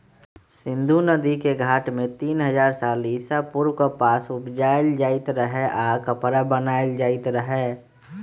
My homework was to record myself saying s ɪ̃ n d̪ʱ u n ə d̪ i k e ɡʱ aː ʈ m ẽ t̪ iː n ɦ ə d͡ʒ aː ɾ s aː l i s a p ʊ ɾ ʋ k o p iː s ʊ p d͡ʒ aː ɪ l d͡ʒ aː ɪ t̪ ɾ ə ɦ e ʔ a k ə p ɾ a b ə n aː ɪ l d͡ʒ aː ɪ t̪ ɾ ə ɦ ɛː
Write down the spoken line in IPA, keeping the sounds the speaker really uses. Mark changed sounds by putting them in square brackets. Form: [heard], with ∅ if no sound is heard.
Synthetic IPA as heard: s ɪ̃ n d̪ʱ u n ə d̪ i k e ɡʱ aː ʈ m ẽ t̪ iː n ɦ ə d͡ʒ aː ɾ s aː l i s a p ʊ ɾ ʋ k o p [aː] s ʊ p d͡ʒ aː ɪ l d͡ʒ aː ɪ t̪ ɾ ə ɦ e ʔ a k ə p ɾ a b ə n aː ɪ l d͡ʒ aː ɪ t̪ ɾ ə ɦ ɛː